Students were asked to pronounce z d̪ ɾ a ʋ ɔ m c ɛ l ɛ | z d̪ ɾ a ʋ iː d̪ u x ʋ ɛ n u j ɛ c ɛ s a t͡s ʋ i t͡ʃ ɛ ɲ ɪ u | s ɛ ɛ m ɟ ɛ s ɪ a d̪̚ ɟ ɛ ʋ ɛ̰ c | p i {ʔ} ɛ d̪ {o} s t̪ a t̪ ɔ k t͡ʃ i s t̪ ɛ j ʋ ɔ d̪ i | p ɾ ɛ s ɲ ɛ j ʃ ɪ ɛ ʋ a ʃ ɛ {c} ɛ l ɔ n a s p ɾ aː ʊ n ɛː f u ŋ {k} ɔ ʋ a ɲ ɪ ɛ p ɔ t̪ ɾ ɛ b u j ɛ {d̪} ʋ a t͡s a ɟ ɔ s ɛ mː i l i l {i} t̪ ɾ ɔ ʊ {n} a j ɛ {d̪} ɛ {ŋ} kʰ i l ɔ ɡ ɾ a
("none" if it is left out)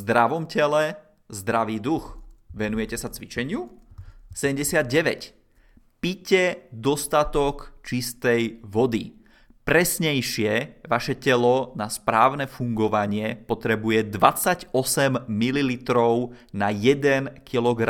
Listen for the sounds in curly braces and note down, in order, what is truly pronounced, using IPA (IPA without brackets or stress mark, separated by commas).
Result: c, ɔ, c, ɡ, d̪, i, n, d̪, n